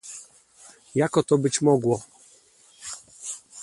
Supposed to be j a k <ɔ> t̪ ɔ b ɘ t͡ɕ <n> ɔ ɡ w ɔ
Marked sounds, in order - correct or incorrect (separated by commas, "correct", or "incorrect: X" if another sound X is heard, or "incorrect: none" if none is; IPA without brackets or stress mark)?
correct, incorrect: m